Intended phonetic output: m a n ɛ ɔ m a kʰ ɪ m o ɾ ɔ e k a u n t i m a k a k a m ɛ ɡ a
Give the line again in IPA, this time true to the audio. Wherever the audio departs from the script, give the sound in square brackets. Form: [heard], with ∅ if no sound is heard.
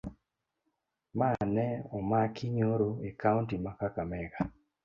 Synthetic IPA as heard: m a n ɛ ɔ m a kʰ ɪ [ɲ] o ɾ [o] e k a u n t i m a k a k a m ɛ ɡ a